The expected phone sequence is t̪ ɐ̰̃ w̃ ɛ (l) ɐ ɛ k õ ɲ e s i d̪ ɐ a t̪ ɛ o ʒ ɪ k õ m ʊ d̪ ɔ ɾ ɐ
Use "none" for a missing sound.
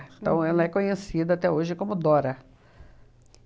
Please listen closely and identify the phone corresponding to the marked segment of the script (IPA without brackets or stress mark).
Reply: l